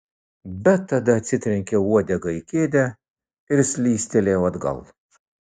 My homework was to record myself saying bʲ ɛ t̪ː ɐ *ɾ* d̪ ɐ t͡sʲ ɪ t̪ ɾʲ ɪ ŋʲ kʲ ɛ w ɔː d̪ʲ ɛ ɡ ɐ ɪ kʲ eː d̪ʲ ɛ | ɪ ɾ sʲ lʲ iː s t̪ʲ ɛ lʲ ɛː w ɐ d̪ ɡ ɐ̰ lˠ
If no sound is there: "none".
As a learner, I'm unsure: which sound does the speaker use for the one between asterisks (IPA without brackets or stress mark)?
none